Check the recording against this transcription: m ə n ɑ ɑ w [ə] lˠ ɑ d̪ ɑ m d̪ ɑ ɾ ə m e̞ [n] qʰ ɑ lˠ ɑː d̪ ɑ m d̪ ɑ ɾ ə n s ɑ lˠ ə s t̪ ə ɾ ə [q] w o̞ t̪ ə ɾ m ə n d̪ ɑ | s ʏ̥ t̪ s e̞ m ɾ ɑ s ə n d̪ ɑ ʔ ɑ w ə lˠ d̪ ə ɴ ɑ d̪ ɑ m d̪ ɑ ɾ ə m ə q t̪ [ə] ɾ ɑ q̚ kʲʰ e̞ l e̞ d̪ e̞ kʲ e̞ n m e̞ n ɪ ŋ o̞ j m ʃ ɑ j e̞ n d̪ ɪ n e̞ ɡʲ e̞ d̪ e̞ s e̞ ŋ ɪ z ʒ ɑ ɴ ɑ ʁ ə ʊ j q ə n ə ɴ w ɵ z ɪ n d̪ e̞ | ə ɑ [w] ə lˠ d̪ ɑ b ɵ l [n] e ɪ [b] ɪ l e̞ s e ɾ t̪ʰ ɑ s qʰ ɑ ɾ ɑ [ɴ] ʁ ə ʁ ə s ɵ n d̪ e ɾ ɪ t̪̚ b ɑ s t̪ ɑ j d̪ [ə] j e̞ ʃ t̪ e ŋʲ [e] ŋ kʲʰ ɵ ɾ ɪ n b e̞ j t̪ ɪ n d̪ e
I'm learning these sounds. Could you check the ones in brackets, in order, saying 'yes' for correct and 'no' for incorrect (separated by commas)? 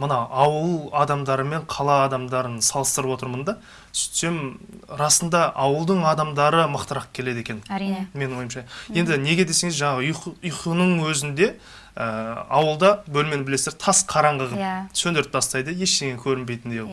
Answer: yes, no, no, yes, yes, no, yes, yes, yes, yes